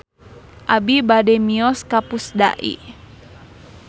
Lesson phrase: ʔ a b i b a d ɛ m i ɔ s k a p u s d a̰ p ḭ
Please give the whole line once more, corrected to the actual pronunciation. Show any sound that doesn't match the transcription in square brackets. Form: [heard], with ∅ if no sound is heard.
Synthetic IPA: ʔ a b i b a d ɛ m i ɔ s k a p u s d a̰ [ʔ] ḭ